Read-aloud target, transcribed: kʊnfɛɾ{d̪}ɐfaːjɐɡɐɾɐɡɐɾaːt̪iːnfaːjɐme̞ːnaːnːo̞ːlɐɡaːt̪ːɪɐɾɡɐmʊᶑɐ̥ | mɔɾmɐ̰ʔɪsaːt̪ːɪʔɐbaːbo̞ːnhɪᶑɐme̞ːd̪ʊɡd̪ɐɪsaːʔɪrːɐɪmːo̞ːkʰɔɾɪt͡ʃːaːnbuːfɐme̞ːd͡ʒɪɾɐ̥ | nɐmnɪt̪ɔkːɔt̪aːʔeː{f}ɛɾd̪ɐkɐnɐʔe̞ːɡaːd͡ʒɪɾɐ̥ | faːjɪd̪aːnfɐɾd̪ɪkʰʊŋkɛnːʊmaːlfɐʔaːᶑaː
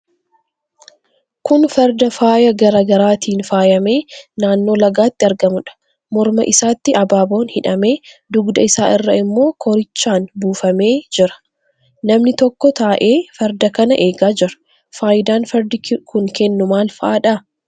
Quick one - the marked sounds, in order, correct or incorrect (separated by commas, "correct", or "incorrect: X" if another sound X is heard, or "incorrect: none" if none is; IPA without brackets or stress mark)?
correct, correct